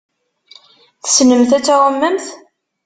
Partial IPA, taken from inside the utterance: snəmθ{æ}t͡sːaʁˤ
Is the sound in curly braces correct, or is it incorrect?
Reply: correct